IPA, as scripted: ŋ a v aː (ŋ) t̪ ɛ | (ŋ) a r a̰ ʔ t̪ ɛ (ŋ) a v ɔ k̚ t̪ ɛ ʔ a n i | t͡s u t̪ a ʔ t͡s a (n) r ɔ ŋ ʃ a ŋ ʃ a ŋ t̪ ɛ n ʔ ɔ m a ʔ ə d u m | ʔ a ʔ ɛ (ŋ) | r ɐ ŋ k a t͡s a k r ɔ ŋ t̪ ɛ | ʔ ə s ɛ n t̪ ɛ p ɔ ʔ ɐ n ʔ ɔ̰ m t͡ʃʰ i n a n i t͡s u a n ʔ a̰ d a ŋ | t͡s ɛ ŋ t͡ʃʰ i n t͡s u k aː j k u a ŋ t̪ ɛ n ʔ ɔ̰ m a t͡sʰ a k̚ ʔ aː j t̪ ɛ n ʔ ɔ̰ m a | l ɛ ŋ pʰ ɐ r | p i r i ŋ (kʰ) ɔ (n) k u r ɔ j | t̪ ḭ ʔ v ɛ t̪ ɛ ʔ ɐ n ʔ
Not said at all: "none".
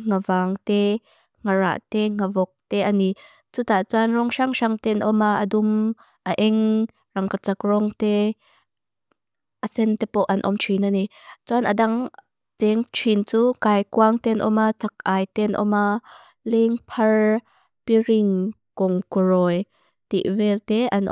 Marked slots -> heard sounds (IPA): ŋ, ŋ, ŋ, n, ŋ, k, ŋ

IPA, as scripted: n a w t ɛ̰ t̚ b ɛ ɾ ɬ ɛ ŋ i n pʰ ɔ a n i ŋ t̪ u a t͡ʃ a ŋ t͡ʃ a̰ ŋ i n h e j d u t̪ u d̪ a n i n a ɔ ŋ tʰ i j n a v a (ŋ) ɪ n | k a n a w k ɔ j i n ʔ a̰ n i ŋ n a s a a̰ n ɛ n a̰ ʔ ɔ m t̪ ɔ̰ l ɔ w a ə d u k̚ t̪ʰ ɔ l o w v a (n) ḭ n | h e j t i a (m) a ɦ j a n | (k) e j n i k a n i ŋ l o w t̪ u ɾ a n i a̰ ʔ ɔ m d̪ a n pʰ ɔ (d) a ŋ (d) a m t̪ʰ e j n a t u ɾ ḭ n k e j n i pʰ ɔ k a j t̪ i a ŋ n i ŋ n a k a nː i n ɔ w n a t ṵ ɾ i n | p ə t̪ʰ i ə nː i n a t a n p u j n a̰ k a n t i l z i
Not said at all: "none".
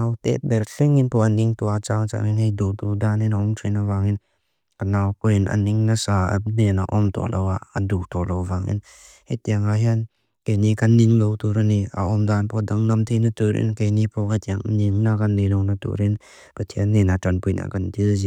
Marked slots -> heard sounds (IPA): ŋ, ŋ, ŋ, k, d, n

